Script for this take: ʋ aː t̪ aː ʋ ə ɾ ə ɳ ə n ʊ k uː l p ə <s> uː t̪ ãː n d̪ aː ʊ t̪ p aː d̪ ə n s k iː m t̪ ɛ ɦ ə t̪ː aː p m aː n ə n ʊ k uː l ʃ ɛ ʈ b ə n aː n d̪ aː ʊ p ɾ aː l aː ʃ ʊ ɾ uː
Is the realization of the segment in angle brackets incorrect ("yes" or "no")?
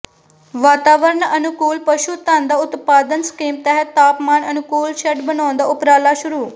yes